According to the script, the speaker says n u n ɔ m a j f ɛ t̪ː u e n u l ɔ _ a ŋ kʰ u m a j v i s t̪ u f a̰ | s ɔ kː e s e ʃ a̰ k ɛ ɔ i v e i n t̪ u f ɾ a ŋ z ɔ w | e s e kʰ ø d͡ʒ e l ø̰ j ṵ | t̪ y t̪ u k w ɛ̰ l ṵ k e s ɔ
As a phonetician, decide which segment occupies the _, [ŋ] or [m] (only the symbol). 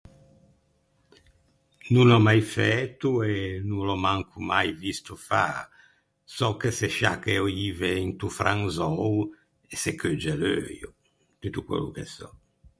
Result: m